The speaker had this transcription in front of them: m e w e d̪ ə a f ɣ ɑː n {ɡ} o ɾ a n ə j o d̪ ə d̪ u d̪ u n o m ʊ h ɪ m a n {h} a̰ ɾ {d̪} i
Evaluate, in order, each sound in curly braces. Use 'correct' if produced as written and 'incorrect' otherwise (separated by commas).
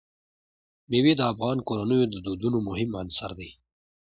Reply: incorrect, incorrect, correct